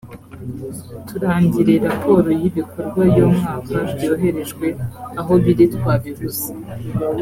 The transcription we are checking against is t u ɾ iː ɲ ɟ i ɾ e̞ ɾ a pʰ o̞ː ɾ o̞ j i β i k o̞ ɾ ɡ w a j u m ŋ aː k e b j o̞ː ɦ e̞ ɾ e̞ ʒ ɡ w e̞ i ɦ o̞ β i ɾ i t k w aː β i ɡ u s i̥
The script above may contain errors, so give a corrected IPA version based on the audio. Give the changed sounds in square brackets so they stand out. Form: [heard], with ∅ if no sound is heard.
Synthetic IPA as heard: t u ɾ [aː] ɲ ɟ i ɾ e̞ ɾ a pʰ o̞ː ɾ o̞ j i β i k o̞ ɾ ɡ w a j [o] m ŋ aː k [a] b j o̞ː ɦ e̞ ɾ e̞ ʒ ɡ w e̞ [a] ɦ o̞ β i ɾ i t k w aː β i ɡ u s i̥